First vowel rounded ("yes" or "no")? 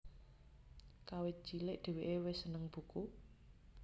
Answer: no